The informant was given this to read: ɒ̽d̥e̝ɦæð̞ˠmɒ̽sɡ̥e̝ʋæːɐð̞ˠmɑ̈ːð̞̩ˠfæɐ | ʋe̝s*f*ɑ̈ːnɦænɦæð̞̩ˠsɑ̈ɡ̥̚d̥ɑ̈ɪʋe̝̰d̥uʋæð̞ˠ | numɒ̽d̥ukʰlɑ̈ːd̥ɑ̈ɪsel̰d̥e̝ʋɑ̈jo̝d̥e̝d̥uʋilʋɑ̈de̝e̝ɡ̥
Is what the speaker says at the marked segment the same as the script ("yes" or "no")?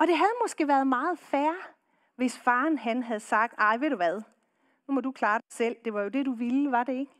yes